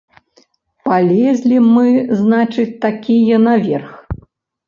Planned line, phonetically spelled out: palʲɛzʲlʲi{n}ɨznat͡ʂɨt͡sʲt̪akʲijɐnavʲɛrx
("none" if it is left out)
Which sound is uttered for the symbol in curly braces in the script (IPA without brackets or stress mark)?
m